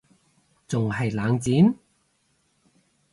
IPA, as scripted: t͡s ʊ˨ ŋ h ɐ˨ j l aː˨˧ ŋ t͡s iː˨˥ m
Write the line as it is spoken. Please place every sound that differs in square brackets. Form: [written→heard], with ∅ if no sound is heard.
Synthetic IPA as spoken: t͡s ʊ˨ ŋ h ɐ˨ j l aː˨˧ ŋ t͡s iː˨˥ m